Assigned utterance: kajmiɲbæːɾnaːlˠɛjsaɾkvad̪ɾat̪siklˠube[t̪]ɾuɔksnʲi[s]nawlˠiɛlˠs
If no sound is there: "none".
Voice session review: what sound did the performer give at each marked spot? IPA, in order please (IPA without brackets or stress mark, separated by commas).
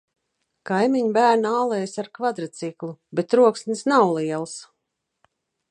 t̪, s